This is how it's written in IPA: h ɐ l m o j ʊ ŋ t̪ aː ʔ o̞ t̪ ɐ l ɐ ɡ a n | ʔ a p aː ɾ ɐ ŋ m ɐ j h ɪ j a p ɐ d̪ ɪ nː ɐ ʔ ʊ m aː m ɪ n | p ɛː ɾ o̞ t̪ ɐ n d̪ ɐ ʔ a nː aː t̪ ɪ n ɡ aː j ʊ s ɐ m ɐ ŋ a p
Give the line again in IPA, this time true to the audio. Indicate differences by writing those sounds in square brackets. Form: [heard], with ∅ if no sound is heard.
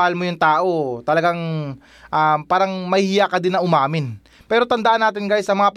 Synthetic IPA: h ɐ l m o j ʊ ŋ t̪ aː ʔ o̞ t̪ ɐ l ɐ ɡ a [ŋ] | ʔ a p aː ɾ ɐ ŋ m ɐ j h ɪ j a [k] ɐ d̪ ɪ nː ɐ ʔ ʊ m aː m ɪ n | p ɛː ɾ o̞ t̪ ɐ n d̪ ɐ ʔ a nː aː t̪ ɪ n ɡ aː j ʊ s ɐ m ɐ ŋ a p